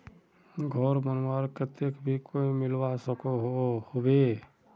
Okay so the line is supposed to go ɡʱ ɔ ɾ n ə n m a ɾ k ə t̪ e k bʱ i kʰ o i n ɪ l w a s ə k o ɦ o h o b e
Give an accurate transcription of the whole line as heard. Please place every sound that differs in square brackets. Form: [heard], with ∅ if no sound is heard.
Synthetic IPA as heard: ɡʱ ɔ ɾ [m] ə n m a ɾ k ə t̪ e k bʱ i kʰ o i [m] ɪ l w a s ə k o ɦ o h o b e